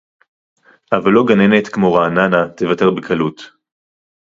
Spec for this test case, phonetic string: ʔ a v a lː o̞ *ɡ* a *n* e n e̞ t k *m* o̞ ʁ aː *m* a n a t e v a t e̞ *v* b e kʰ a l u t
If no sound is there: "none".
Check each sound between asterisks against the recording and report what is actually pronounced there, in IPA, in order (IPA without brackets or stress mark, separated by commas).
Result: ɡ, n, m, n, ʁ